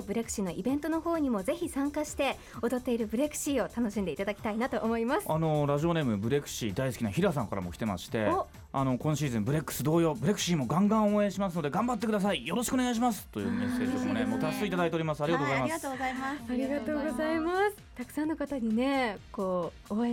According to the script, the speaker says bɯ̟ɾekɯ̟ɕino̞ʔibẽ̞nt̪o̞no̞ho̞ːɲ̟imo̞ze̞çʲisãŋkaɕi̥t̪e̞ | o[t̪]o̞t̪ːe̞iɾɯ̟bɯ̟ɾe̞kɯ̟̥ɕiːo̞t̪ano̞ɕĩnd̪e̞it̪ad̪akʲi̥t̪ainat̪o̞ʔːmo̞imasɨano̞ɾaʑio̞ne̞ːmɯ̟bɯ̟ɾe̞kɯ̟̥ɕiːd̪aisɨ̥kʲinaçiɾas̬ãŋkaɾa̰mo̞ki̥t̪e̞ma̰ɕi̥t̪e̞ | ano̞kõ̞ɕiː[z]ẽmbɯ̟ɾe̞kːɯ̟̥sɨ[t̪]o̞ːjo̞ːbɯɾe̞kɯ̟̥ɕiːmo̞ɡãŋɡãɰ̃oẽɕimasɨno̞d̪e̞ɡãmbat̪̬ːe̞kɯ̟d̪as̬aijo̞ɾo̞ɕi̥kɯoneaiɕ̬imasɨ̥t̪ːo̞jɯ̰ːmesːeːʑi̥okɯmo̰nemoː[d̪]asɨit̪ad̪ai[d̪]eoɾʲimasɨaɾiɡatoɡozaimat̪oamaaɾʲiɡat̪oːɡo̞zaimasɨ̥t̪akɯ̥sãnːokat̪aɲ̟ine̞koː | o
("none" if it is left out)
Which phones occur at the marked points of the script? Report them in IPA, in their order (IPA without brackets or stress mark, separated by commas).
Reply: d̪, z, d̪, t̪, t̪